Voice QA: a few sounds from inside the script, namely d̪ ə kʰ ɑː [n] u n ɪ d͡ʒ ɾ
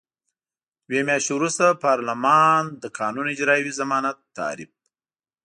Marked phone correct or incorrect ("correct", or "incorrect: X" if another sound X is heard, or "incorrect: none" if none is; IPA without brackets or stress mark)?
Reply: correct